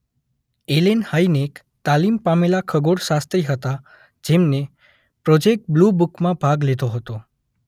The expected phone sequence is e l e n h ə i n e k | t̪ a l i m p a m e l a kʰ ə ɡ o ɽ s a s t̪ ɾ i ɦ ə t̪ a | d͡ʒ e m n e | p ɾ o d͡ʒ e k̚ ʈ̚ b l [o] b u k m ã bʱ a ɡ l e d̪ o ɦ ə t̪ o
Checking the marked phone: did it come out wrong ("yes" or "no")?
yes